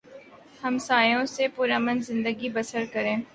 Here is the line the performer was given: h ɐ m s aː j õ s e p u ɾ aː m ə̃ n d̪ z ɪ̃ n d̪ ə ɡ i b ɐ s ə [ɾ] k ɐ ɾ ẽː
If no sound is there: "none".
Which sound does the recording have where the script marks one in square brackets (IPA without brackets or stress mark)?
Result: ɾ